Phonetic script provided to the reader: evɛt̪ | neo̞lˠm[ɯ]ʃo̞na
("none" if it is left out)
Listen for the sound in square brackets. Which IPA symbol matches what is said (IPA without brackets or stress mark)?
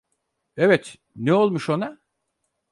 u